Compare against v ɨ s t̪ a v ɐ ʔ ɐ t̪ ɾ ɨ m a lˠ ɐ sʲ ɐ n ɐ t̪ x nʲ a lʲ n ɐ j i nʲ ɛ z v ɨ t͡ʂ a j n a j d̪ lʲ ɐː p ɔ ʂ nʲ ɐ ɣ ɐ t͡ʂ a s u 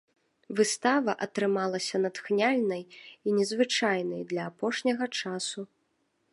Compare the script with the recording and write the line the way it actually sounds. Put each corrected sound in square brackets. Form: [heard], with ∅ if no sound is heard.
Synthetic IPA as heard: v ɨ s t̪ a v ɐ ʔ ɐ t̪ ɾ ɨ m a lˠ ɐ sʲ ɐ n ɐ t̪ x nʲ a lʲ n ɐ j i nʲ ɛ z v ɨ t͡ʂ a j n [ɐ] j d̪ lʲ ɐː p ɔ ʂ nʲ ɐ ɣ ɐ t͡ʂ a s u